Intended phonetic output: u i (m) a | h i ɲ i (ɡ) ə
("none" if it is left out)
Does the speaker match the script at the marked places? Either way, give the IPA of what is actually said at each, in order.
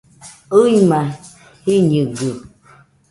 m, ɡ

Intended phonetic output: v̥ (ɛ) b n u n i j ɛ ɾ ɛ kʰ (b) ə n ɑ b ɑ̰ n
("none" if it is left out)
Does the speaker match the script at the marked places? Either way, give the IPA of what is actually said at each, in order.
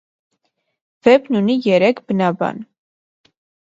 ɛ, b

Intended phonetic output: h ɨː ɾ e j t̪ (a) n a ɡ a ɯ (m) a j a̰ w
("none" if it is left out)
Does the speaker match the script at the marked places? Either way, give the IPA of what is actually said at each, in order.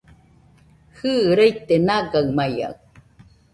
e, m

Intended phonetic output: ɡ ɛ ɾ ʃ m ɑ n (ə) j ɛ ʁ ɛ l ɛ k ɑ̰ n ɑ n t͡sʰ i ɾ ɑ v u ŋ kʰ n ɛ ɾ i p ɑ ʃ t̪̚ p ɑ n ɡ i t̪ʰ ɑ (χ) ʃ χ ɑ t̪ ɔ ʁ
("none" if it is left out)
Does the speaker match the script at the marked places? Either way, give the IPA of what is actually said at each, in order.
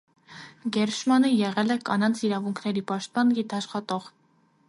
ə, none

